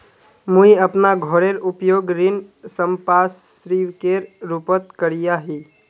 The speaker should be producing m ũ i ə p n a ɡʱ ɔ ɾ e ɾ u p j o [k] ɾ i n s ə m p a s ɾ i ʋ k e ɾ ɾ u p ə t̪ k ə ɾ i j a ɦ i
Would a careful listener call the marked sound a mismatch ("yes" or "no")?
yes